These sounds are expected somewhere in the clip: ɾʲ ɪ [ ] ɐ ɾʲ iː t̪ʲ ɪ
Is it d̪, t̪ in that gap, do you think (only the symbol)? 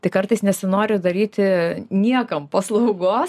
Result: d̪